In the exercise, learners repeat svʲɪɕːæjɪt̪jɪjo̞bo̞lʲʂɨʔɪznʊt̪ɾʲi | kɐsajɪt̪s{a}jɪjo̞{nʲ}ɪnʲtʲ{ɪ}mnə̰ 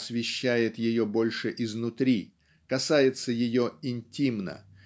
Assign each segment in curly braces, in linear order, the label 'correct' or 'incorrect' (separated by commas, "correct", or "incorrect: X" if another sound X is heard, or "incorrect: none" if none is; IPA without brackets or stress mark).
incorrect: ə, incorrect: none, incorrect: i